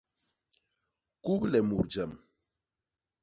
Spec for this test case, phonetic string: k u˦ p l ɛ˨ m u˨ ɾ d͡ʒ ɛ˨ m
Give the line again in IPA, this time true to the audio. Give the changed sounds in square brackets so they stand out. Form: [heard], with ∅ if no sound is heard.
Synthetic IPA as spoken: k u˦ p l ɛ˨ m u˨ ɾ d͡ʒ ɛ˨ m

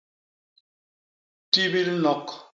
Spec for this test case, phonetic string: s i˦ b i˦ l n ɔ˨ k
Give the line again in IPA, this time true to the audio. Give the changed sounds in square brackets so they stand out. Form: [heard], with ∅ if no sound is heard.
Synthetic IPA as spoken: [t] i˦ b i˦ l n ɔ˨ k

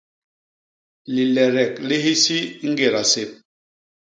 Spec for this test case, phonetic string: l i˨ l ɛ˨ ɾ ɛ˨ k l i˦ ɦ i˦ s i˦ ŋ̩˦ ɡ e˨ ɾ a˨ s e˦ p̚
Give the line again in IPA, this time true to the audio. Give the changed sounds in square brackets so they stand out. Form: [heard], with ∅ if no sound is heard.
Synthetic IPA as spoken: l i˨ l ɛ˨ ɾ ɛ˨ k l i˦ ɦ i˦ s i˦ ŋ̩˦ ɡ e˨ ɾ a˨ s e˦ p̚

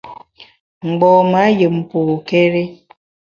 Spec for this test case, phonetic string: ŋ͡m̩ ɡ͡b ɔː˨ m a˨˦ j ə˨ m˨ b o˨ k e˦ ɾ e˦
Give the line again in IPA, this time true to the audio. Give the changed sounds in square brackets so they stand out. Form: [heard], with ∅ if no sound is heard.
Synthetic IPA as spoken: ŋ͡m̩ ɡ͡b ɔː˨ m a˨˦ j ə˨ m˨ [p] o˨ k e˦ ɾ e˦

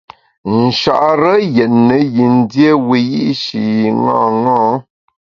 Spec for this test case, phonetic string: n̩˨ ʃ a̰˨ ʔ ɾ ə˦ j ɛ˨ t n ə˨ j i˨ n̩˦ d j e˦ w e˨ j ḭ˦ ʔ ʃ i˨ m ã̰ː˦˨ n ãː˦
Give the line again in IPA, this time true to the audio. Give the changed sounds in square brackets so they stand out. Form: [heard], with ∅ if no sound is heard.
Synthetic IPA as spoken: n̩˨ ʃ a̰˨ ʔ ɾ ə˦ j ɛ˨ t n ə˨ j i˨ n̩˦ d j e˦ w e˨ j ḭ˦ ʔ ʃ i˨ [ŋ] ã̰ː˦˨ [ŋ] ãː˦

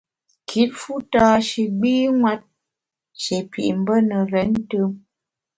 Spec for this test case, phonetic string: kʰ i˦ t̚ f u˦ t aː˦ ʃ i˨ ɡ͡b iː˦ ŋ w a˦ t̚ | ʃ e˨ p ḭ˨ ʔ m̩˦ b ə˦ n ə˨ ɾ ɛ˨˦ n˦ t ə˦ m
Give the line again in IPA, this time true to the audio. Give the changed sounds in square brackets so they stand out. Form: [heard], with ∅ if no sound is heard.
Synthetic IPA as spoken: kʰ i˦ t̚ f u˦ t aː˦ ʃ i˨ ɡ͡b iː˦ ŋ w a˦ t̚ | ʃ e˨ p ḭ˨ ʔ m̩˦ b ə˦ n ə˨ ɾ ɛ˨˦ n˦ t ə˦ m

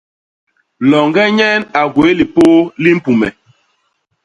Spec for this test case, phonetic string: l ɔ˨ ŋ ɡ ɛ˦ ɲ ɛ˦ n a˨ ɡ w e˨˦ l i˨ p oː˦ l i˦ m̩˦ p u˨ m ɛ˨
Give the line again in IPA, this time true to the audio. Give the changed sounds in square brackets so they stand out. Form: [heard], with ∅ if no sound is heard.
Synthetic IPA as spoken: l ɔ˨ ŋ ɡ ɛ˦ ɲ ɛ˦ n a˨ ɡ w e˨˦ l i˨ p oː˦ l i˦ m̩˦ p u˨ m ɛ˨

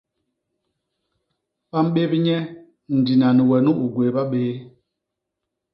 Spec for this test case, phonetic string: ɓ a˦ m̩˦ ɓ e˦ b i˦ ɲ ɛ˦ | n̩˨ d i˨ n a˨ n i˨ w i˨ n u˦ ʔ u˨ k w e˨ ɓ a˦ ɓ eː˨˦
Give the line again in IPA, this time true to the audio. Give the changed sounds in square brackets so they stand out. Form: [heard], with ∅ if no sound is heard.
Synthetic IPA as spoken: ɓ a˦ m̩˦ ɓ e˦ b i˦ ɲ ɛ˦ | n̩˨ d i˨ n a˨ n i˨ w [ɛ˨] n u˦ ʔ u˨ [ɡ] w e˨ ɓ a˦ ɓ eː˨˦

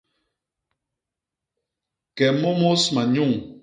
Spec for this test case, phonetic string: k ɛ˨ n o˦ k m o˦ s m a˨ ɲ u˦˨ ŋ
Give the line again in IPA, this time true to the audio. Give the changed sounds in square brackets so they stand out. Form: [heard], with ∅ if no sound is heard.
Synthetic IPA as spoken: k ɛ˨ [m] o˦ [∅] m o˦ s m a˨ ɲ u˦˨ ŋ

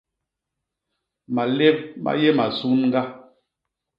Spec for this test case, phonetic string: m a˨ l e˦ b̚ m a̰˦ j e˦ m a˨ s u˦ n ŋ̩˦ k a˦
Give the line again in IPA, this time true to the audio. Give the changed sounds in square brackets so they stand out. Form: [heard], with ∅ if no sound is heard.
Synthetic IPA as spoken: m a˨ l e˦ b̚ m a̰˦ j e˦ m a˨ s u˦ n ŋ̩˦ [ɡ] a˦

